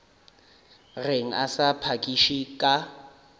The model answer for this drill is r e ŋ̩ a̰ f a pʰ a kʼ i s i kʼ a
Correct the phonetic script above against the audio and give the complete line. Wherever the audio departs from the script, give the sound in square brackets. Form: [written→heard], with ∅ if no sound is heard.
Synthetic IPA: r e ŋ̩ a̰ [f→s] a pʰ a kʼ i [s→ʃ] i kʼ a